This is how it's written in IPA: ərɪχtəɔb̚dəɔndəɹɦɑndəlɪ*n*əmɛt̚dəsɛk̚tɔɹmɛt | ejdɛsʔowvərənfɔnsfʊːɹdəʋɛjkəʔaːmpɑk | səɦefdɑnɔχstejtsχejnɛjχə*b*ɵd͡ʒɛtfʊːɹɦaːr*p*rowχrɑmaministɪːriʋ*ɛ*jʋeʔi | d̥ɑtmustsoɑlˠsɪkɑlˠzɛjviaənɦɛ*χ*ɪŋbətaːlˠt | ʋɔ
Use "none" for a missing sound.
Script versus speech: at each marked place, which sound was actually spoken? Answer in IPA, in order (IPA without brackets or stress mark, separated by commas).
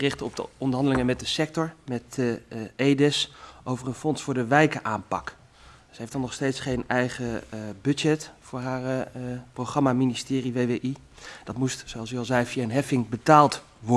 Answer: ŋ, b, p, e, f